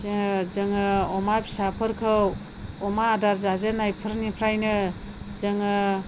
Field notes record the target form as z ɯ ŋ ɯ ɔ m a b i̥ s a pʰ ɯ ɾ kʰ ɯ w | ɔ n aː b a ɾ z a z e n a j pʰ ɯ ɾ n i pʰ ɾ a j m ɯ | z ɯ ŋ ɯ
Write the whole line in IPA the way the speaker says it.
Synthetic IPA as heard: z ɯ ŋ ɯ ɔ m a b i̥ s a pʰ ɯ ɾ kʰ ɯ w | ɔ m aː d a ɾ z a z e n a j pʰ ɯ ɾ n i pʰ ɾ a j n ɯ | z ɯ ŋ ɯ